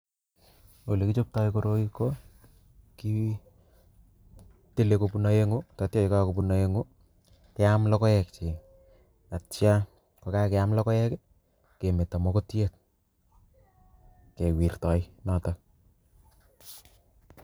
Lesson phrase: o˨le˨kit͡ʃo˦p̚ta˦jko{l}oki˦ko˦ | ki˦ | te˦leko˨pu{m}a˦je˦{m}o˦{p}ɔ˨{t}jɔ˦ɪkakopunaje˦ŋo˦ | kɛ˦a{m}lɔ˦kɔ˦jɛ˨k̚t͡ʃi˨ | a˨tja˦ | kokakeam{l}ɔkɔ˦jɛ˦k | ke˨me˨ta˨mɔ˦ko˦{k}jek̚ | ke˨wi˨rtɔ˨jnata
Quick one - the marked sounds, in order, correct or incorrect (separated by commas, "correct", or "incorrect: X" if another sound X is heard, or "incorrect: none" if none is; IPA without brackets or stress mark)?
incorrect: ɾ, incorrect: n, incorrect: ŋ, incorrect: t, correct, correct, correct, incorrect: t